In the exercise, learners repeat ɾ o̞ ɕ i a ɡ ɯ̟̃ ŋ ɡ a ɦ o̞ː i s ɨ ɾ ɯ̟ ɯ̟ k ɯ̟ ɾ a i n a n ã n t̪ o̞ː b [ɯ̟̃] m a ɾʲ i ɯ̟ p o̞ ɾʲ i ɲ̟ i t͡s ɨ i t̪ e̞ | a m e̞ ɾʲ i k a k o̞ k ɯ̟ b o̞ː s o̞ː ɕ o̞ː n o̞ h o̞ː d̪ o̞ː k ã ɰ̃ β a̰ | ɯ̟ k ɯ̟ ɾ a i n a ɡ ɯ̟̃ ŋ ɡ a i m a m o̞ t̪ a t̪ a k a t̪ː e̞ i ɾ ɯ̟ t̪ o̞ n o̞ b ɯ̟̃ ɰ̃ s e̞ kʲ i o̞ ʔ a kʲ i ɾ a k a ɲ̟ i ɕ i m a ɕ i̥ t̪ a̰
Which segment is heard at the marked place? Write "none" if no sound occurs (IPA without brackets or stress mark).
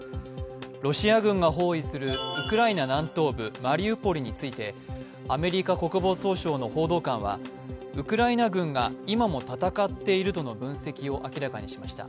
ɯ̟